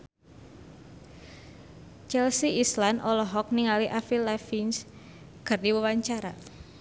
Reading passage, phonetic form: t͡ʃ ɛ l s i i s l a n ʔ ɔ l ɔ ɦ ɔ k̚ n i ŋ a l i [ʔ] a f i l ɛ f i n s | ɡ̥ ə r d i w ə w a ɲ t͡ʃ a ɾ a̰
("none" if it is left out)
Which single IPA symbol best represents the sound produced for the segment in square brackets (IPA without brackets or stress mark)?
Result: ʔ